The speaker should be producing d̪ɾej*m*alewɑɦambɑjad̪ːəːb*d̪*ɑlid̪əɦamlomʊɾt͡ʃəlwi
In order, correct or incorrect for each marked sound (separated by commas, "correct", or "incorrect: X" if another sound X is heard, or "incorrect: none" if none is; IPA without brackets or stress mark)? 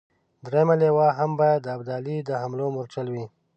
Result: correct, correct